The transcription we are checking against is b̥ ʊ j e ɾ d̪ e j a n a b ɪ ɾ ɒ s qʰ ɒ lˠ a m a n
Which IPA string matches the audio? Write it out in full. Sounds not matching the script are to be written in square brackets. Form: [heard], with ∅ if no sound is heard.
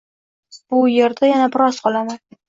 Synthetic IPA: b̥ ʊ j e ɾ d̪ [a] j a n a b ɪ ɾ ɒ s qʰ ɒ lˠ a m a n